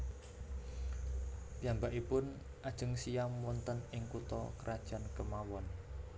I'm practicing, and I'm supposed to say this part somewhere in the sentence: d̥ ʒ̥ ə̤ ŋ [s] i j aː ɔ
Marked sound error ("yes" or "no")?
no